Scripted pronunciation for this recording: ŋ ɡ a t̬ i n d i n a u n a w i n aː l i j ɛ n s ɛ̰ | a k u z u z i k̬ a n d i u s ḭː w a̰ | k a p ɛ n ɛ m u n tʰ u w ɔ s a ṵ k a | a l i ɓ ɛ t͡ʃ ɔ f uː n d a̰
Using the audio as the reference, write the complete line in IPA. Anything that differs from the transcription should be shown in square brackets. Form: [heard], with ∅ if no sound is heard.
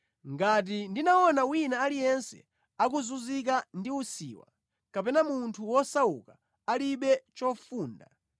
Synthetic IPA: ŋ ɡ a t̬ i n d i n a [ɔ] n a w i n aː l i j ɛ n s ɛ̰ | a k u z u z i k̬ a n d i u s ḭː w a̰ | k a p ɛ n [a] m u n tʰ u w ɔ s a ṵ k a | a l i ɓ ɛ t͡ʃ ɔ f uː n d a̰